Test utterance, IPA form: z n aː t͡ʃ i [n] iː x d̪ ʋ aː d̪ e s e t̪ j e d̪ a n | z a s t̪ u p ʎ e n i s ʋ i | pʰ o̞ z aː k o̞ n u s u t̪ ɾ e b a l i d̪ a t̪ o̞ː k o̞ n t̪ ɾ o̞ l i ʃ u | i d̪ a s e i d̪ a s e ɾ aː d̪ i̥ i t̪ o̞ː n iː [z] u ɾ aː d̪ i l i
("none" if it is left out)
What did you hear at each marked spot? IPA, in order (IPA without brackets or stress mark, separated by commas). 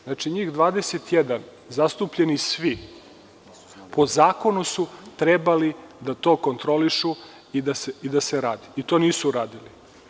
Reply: ɲ, s